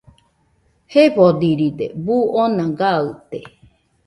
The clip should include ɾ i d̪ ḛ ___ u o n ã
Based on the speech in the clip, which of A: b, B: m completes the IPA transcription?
A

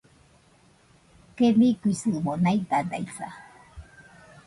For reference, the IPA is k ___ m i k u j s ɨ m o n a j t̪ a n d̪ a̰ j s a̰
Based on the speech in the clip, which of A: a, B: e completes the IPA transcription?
B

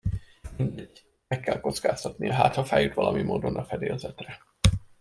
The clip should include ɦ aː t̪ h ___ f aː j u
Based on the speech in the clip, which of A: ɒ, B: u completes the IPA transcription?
A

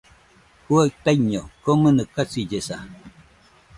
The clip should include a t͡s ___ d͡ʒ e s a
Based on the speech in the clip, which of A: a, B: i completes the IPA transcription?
B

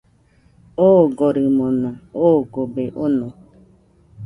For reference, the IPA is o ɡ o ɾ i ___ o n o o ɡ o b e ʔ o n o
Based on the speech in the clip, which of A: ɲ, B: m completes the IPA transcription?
B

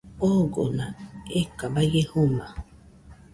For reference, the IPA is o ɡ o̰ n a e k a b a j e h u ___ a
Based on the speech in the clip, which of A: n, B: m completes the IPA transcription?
B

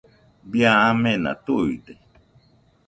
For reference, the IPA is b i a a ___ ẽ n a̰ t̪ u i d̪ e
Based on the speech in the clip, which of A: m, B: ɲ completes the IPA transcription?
A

